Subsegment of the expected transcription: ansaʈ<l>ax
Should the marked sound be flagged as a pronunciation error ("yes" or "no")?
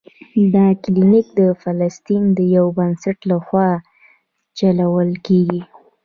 no